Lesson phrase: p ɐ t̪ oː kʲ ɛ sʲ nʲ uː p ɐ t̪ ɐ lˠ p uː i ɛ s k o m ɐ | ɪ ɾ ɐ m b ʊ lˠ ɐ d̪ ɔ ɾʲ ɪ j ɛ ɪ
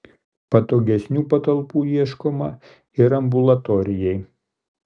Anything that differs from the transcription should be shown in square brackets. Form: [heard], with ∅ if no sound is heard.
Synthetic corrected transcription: p ɐ t̪ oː [ɡʲ] ɛ sʲ nʲ uː p ɐ t̪ ɐ lˠ p uː i ɛ [ʃ] k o m ɐ | ɪ ɾ ɐ m b ʊ lˠ ɐ [t̪] ɔ ɾʲ ɪ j ɛ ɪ